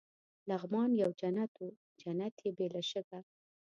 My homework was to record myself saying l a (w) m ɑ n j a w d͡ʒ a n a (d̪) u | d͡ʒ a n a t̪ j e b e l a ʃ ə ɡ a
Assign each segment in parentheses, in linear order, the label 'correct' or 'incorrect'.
incorrect: ɣ, incorrect: t̪

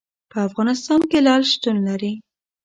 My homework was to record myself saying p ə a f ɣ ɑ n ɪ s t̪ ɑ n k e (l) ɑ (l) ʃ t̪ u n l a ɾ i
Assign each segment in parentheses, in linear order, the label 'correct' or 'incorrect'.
correct, correct

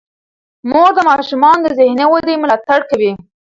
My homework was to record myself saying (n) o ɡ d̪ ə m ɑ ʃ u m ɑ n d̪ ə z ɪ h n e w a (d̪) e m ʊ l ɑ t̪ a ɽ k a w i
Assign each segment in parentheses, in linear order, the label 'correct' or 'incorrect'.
incorrect: m, correct

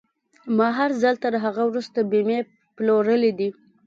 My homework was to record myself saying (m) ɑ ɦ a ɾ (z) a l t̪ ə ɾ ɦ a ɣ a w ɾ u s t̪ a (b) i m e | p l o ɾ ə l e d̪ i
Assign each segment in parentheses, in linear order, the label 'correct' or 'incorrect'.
correct, correct, correct

